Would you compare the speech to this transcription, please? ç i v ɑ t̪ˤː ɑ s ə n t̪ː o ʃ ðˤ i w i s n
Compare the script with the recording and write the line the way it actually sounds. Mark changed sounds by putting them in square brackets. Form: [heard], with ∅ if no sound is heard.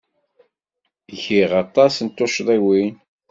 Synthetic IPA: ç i [ʁ] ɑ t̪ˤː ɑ s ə n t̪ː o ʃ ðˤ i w i [∅] n

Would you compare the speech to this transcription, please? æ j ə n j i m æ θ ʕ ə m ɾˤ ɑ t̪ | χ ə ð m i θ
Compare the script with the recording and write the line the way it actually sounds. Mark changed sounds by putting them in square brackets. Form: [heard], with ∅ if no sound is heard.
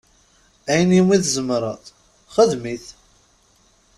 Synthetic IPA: æ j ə n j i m [i] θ [z] ə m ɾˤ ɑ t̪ | χ ə ð m i θ

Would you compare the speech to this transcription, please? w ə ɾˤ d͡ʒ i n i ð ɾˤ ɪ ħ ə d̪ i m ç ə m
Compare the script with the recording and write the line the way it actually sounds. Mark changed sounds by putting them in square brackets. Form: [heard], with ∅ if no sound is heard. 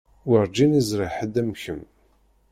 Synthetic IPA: w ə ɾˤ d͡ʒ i n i [z] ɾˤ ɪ ħ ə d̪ [æ] m ç ə m

